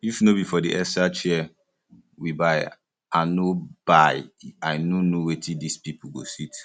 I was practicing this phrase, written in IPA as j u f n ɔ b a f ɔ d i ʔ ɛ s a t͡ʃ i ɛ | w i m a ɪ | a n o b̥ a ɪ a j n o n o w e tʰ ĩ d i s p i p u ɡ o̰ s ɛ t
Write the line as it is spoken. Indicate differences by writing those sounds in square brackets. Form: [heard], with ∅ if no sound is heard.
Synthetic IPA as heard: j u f n [o] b [i] f ɔ d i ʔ ɛ s a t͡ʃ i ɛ | w i [b] a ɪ | a n o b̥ a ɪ a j n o n o w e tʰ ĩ d i s p i p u ɡ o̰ s [i] t